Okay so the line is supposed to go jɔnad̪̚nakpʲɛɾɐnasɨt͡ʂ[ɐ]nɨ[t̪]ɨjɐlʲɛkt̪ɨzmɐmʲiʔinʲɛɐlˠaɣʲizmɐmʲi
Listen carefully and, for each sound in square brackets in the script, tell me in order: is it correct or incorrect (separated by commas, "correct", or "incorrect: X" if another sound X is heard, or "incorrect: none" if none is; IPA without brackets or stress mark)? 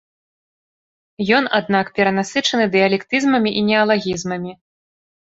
correct, incorrect: d̪